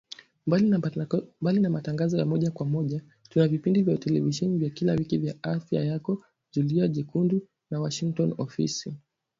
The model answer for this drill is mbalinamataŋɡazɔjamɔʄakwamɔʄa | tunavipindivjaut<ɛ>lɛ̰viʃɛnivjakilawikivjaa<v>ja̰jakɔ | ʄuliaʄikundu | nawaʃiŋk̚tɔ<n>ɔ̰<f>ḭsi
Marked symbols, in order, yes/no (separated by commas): yes, no, yes, yes